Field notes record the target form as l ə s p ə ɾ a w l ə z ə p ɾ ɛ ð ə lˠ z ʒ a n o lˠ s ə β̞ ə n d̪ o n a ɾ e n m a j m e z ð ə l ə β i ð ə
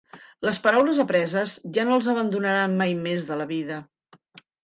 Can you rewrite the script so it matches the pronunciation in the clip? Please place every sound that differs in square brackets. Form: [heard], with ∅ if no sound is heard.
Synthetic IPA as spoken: l ə s p ə ɾ a w l ə z ə p ɾ ɛ [z] ə [∅] z ʒ a n o lˠ [z] ə β̞ ə n d̪ [u] n [ə] ɾ [a] n m a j m e z ð ə l ə β i ð ə